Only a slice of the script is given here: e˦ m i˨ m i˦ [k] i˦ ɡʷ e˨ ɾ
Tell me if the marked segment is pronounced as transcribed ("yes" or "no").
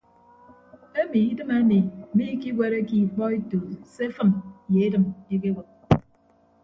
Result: yes